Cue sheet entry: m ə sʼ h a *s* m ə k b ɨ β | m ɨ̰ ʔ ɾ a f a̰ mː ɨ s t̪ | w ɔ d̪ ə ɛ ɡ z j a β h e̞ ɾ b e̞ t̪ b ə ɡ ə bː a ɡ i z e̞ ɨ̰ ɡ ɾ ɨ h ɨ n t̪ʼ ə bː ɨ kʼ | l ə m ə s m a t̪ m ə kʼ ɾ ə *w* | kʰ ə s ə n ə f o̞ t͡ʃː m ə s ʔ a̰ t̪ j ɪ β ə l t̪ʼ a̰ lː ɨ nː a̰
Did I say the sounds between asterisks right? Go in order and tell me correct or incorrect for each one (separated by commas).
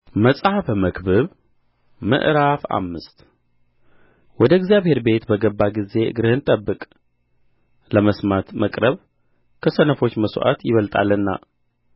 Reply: incorrect, incorrect